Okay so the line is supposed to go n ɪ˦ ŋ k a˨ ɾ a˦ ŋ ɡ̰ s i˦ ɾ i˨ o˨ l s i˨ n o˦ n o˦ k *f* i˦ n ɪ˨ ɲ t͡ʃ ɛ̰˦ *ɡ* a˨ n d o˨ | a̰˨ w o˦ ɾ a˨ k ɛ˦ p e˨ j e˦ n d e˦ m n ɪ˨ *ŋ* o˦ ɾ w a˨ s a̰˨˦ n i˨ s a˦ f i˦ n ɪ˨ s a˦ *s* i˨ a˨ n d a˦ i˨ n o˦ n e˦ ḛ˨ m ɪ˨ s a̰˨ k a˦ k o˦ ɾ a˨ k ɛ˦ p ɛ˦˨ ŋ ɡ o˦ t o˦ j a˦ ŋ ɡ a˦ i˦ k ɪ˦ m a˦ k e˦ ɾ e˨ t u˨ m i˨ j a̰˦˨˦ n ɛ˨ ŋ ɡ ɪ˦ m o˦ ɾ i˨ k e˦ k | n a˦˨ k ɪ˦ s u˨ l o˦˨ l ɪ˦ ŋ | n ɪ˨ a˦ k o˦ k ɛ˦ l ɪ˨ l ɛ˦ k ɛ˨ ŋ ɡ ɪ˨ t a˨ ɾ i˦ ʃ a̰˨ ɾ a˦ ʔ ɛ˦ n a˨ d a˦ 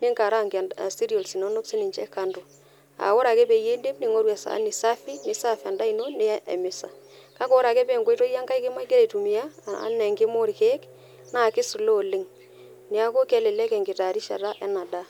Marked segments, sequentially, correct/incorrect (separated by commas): incorrect, incorrect, correct, incorrect